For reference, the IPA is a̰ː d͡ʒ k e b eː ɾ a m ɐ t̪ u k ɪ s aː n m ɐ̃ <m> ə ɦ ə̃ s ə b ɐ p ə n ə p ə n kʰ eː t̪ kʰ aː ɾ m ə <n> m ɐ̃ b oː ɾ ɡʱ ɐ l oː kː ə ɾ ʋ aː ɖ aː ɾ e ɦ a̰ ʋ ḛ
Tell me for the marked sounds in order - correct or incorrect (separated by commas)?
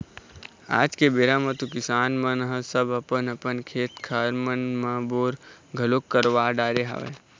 incorrect, correct